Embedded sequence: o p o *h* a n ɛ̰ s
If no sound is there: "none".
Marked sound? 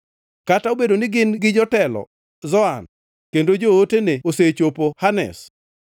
h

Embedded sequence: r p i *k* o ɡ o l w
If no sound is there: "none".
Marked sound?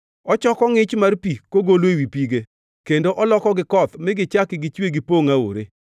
k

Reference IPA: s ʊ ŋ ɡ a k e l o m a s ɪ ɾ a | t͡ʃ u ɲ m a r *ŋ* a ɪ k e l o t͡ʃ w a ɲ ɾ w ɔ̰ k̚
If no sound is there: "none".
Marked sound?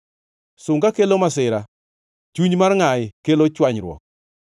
ŋ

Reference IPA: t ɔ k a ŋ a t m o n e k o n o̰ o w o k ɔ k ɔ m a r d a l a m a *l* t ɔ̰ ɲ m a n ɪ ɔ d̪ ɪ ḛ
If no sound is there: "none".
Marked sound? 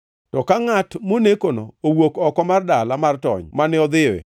r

